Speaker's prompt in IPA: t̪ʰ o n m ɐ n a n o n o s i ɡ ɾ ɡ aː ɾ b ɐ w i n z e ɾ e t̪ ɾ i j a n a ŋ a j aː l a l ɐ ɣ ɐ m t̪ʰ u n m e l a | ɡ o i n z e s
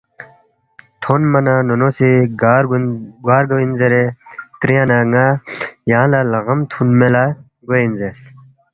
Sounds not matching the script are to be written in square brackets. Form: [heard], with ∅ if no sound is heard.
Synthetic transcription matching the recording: t̪ʰ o n m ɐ n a n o n o s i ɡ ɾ ɡ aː ɾ [ɡ] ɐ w i n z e ɾ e t̪ ɾ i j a n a ŋ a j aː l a l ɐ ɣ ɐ m t̪ʰ u n m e l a | ɡ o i n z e s